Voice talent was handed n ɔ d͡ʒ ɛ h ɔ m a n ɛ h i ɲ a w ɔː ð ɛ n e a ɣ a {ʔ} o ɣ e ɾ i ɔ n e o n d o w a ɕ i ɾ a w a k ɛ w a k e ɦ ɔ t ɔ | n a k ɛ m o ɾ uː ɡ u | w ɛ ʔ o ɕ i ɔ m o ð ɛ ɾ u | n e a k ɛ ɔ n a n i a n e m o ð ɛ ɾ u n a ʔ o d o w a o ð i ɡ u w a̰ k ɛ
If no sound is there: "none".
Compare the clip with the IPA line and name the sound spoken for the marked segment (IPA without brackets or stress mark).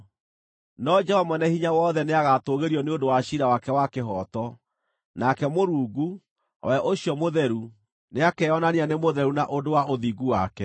t